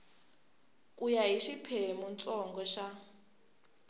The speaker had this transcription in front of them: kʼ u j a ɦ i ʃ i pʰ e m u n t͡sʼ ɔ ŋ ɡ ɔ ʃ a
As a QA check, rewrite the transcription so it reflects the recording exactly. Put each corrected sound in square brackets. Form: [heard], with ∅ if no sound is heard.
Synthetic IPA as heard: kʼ u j a ɦ i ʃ i pʰ e m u n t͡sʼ ɔ ŋ ɡ ɔ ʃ a